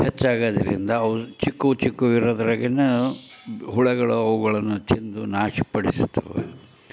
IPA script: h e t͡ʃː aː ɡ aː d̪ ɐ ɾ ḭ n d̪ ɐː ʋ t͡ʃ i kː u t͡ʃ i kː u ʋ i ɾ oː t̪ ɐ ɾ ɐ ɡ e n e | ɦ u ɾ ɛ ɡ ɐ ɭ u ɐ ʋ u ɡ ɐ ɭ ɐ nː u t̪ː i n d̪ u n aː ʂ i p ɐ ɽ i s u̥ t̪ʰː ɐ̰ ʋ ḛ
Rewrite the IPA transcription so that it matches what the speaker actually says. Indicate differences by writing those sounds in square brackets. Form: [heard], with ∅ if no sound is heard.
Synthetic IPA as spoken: h e t͡ʃː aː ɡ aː d̪ ɐ ɾ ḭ n d̪ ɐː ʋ t͡ʃ i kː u t͡ʃ i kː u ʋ i ɾ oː [d̪] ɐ ɾ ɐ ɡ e n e | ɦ u [ɭ] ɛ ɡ ɐ ɭ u ɐ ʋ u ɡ ɐ ɭ ɐ nː u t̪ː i n d̪ u n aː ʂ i p ɐ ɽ i s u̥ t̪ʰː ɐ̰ ʋ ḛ